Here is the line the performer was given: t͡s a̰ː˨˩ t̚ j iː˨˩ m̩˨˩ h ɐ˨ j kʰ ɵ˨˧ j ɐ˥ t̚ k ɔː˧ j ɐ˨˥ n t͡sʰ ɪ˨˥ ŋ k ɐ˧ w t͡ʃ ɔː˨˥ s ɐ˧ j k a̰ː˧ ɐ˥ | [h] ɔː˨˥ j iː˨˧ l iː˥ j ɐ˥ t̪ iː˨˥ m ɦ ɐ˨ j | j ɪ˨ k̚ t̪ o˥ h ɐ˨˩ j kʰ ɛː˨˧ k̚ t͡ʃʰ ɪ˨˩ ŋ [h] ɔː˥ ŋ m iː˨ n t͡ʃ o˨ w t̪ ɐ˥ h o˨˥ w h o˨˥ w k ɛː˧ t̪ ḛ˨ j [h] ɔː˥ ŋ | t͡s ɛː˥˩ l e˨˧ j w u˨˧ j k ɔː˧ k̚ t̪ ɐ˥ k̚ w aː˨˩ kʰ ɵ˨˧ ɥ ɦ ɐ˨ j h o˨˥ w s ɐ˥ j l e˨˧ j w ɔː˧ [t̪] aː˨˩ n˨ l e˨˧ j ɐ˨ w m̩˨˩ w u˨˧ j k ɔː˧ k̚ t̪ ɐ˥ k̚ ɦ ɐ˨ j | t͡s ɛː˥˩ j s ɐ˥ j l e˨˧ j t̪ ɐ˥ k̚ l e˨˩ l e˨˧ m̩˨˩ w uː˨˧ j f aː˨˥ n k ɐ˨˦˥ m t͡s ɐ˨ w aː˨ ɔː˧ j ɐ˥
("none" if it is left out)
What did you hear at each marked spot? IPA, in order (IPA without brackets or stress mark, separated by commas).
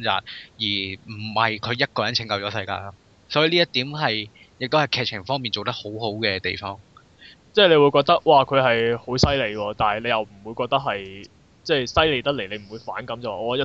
s, f, f, t̪